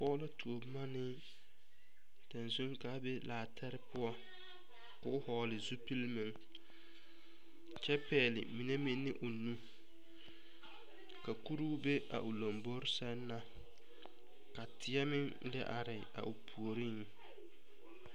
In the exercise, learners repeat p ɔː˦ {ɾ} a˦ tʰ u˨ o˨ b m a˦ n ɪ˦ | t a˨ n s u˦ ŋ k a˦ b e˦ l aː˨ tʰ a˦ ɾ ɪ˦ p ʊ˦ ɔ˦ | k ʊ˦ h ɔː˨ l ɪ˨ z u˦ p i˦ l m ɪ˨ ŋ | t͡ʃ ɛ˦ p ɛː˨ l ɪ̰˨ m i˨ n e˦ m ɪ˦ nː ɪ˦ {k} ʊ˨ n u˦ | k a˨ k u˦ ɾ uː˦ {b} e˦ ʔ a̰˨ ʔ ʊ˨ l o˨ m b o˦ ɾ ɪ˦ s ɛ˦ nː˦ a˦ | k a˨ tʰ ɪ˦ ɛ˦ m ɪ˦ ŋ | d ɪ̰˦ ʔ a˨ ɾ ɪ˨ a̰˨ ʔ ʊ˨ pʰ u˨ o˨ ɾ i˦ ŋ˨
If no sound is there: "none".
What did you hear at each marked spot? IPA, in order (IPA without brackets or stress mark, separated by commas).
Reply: l, ʔ, b